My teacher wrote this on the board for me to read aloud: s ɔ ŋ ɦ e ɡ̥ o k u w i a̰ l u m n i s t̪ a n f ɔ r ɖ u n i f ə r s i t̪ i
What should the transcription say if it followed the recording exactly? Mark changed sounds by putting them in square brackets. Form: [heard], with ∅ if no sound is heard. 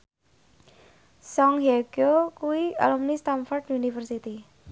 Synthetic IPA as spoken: s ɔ ŋ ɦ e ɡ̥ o k u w i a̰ l u m n i s t̪ a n f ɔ r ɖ u n i f ə r s i t̪ i